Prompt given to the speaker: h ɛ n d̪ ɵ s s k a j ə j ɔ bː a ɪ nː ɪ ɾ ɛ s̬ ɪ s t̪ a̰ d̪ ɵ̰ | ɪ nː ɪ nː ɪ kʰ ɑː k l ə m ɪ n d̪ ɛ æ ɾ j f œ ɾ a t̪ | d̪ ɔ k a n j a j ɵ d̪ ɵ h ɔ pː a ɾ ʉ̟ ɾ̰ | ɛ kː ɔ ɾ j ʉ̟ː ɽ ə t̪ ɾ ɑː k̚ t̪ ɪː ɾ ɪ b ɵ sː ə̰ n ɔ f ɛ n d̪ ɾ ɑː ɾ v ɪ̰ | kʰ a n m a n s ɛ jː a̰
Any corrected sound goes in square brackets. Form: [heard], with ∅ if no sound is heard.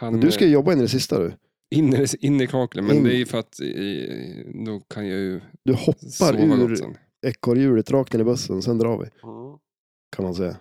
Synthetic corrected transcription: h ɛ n d̪ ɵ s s k a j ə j ɔ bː a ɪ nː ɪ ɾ ɛ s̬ ɪ s t̪ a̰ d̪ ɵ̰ | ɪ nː ɪ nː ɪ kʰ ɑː k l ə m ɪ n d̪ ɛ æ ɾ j f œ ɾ a t̪ | d̪ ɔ [kʰ] a n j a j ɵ d̪ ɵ h ɔ pː a ɾ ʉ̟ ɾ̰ | ɛ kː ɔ ɾ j ʉ̟ː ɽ ə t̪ ɾ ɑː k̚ t̪ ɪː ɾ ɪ b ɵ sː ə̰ n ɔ [s] ɛ n d̪ ɾ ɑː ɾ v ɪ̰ | kʰ a n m a n s ɛ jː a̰